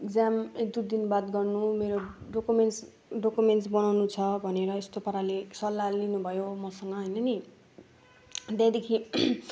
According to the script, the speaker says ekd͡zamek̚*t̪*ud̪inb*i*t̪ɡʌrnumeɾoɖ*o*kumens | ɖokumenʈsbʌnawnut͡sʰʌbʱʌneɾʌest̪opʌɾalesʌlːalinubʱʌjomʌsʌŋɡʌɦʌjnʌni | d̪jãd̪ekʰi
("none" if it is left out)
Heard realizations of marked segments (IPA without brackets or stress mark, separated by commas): d̪, a, o